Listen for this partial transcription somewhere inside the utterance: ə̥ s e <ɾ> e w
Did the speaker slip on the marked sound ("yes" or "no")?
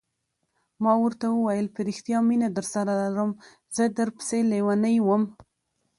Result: yes